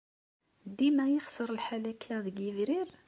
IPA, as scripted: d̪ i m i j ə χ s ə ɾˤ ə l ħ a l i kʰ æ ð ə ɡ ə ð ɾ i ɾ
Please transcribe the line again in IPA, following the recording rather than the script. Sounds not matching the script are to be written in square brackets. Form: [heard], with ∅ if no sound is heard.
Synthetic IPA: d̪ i m [æ] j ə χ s ə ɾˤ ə l ħ a l [æ] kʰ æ ð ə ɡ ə [v] ɾ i ɾ